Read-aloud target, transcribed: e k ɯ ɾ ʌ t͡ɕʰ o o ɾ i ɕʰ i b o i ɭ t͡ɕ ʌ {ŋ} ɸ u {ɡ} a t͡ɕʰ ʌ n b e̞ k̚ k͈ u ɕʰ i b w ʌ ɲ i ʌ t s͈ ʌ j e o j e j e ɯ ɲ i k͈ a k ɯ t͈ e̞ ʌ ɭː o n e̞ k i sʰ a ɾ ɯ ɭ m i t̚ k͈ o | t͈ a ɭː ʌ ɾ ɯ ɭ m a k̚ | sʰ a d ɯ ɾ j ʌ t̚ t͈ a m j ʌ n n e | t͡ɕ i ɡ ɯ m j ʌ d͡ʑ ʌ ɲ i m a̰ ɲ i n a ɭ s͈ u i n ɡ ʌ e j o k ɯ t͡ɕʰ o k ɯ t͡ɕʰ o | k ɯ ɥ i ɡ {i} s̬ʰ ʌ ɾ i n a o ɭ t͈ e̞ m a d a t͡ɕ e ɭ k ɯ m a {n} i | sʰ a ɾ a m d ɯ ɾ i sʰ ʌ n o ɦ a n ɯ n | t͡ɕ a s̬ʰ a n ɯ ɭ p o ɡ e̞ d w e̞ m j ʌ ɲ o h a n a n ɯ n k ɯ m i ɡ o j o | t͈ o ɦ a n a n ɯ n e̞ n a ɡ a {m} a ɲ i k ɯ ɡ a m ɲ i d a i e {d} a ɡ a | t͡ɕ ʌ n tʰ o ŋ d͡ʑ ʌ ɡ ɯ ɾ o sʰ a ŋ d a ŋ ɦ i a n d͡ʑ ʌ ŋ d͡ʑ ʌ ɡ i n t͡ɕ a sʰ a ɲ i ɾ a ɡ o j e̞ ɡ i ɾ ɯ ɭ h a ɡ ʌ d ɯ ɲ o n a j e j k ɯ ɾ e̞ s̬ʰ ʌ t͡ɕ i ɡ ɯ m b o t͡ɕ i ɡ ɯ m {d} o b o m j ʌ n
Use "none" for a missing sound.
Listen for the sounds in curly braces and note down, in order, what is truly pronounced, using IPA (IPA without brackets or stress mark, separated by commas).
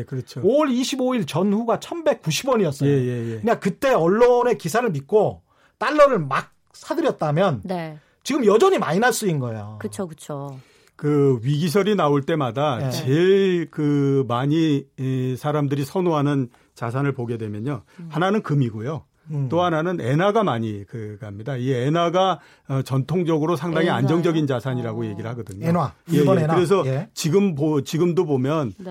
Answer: n, ɡ, i, ɲ, m, n, d